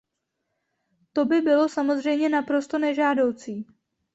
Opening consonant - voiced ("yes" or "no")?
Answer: no